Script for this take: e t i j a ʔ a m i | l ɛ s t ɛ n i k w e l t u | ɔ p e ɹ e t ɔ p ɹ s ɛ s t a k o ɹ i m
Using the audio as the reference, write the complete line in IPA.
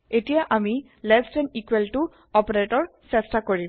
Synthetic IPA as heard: e t i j a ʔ a m i | l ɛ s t ɛ n i k w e l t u | ɔ p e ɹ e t ɔ ɹ s ɛ s t a k o ɹ i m